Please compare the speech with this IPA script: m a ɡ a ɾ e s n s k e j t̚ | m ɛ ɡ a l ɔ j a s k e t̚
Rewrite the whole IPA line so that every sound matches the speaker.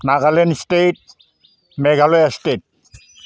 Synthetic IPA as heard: n a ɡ a l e n s t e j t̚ | m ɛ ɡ a l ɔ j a s t e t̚